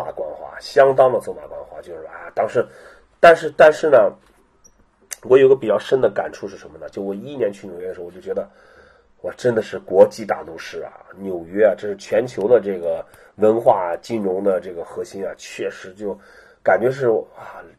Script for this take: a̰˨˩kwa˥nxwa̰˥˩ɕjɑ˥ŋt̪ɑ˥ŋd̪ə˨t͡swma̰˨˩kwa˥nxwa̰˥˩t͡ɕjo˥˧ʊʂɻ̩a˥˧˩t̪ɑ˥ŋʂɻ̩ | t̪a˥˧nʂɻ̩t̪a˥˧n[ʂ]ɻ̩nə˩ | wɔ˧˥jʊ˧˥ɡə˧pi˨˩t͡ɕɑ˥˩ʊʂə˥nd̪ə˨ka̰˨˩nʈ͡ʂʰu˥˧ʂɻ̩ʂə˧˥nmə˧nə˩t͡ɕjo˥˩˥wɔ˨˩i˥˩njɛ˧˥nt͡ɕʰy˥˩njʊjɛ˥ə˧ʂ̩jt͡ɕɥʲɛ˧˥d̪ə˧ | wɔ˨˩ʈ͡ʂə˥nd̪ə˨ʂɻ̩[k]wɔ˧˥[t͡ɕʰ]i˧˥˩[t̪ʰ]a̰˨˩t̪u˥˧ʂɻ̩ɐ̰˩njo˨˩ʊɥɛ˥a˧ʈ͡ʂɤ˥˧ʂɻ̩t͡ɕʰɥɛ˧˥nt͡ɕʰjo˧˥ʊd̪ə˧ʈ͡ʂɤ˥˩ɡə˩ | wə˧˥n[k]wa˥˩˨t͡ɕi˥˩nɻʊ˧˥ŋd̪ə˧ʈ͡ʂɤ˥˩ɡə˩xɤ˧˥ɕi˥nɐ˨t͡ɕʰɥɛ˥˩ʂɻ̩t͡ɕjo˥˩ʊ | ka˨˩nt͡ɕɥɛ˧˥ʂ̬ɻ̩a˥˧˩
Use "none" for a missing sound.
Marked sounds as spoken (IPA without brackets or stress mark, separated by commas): ʂ, k, t͡ɕ, t̪, x